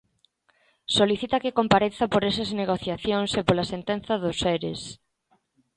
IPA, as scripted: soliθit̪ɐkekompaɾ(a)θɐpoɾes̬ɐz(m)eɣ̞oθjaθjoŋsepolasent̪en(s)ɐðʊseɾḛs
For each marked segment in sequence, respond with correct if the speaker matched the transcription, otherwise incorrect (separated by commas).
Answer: incorrect, incorrect, incorrect